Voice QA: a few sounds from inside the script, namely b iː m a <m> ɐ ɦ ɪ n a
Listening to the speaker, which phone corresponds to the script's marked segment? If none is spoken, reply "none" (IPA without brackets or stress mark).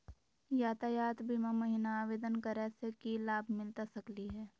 m